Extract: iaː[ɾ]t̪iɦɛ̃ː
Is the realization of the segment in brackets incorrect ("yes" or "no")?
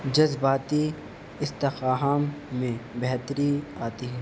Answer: yes